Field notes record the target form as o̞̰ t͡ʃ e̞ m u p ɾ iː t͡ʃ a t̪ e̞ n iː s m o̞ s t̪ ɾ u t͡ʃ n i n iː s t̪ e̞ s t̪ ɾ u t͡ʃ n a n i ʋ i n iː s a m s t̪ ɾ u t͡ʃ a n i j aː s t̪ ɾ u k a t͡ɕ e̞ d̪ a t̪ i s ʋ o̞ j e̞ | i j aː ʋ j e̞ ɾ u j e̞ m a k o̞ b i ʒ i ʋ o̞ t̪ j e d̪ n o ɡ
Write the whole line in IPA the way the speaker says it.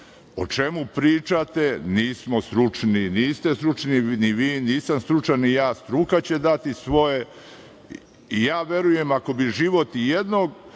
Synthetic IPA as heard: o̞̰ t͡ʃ e̞ m u p ɾ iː t͡ʃ a t̪ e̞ n iː s m o̞ s t̪ ɾ u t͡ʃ n i n iː s t̪ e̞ s t̪ ɾ u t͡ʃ n i n i ʋ iː n iː s a m s t̪ ɾ u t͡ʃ a n i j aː s t̪ ɾ u k a t͡ɕ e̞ d̪ a t̪ i s ʋ o̞ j e̞ | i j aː ʋ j e̞ ɾ u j e̞ m a k o̞ b i ʒ i ʋ o̞ t̪ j e d̪ n o ɡ